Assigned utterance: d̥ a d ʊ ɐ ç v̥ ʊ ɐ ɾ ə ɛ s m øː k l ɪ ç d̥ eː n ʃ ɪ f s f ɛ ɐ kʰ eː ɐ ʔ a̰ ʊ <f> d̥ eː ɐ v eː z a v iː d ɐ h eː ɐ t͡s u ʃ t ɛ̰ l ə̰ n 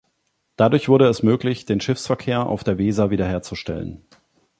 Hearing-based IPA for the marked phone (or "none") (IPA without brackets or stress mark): f